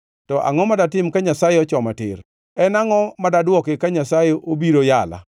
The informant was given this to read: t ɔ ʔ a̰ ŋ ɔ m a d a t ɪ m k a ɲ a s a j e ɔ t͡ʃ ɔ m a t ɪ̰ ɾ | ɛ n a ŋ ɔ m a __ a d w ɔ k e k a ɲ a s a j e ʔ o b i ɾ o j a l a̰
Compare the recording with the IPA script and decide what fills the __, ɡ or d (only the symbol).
d